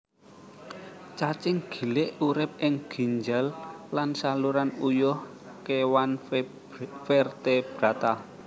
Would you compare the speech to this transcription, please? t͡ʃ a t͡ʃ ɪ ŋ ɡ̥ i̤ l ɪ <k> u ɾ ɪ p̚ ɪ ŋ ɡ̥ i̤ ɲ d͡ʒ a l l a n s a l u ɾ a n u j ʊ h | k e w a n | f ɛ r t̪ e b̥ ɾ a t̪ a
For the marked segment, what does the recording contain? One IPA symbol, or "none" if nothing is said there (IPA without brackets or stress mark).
ʔ